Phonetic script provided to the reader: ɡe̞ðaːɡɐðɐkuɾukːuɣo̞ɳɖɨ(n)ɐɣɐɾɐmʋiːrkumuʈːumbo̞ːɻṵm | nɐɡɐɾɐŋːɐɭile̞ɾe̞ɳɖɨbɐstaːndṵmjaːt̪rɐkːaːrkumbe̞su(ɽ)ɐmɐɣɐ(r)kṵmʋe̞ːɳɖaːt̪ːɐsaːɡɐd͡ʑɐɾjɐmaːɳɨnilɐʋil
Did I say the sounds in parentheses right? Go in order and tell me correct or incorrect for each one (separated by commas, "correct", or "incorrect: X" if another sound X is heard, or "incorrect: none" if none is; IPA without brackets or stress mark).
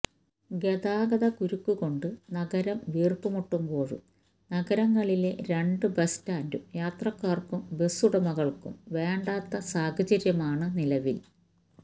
correct, correct, incorrect: ɭ